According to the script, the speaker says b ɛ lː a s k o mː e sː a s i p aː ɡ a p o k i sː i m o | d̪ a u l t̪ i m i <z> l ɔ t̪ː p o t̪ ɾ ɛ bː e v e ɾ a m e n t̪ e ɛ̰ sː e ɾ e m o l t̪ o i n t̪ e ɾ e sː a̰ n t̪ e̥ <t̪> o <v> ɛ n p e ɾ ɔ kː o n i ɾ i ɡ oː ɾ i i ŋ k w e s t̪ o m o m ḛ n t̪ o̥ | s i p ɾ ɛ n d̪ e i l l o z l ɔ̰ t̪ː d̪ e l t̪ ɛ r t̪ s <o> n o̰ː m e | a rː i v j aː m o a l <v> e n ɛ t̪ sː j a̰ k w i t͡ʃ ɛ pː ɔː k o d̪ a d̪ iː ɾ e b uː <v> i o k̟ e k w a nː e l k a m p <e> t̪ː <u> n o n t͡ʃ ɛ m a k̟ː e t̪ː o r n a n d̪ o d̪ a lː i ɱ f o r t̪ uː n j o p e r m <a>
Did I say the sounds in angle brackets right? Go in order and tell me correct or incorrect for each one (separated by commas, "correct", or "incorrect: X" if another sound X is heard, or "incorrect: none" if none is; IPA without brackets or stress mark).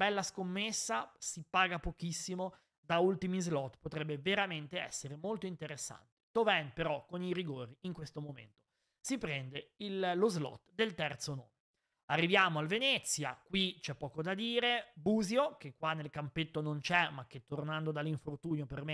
correct, correct, correct, correct, correct, incorrect: z, correct, incorrect: o, incorrect: e